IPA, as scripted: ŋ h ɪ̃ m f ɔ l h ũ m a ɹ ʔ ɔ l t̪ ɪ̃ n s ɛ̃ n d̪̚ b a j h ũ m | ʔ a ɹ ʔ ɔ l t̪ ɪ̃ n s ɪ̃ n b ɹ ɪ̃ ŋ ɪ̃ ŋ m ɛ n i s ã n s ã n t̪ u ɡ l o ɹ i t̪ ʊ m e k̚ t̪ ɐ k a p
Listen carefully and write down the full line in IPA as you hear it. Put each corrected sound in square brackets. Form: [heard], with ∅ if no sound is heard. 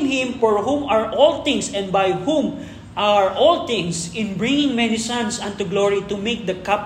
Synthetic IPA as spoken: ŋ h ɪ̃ m f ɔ [ɹ] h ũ m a ɹ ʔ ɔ l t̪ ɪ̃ [ŋ] s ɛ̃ n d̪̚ b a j h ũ m | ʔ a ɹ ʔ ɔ l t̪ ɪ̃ [ŋ] s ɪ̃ n b ɹ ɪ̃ ŋ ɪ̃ ŋ m ɛ n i s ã n s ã n t̪ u ɡ l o ɹ i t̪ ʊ m e k̚ [d̪] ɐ k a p